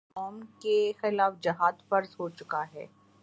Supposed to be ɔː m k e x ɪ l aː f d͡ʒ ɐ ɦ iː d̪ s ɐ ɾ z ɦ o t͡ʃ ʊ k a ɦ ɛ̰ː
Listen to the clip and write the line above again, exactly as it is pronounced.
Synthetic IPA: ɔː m k e x ɪ l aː f d͡ʒ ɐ ɦ aː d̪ f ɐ ɾ z ɦ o t͡ʃ ʊ k a ɦ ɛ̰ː